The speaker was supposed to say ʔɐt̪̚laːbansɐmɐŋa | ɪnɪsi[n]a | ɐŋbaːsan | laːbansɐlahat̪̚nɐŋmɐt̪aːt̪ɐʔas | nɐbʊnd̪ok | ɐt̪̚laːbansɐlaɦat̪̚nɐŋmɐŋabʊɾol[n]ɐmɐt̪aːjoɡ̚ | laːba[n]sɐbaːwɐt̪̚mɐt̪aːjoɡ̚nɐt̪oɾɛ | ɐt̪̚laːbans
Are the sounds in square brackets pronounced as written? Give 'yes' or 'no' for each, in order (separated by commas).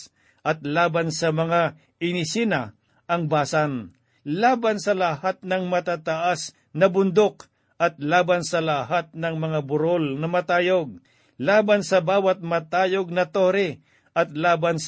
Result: yes, yes, yes